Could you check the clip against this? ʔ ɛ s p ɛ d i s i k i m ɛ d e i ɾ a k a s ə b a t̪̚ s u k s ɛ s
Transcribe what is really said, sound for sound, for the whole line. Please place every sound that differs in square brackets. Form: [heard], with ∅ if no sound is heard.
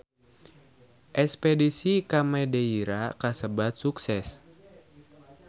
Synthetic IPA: ʔ ɛ s p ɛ d i s i k [a] m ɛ d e i ɾ a k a s ə b a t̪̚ s u k s ɛ s